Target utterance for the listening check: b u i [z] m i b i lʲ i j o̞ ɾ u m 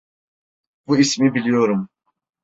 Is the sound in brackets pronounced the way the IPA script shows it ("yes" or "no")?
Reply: no